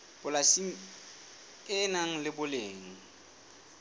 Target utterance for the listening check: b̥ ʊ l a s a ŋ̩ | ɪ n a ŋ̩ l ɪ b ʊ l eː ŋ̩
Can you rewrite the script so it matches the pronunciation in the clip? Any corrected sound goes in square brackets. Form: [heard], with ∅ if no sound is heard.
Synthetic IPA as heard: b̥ ʊ l a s [i] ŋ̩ | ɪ n a ŋ̩ l ɪ b ʊ l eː ŋ̩